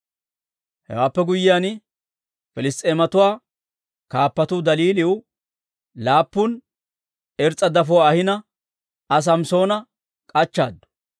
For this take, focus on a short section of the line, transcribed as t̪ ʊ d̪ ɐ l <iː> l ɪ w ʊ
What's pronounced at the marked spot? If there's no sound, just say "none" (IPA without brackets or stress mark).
iː